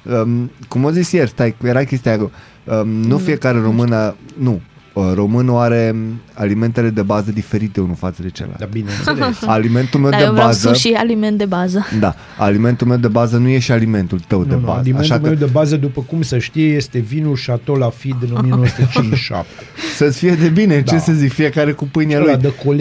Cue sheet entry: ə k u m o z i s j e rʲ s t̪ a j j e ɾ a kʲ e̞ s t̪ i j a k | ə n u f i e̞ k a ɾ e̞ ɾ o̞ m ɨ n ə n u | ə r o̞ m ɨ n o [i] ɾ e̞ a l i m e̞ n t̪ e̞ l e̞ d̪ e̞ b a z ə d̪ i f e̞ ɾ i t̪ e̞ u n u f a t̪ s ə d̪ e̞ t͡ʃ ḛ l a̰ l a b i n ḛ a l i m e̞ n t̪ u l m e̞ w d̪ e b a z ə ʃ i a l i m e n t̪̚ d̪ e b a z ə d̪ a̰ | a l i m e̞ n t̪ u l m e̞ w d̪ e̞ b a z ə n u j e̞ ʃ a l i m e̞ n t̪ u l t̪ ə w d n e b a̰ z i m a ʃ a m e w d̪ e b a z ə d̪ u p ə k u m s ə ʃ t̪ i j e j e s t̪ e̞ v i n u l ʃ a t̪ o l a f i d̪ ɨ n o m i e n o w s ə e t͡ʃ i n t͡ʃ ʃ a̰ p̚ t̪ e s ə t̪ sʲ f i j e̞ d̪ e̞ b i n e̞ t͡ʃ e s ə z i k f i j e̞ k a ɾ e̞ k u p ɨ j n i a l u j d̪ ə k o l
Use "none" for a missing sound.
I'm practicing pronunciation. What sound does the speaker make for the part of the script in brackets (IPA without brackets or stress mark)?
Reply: a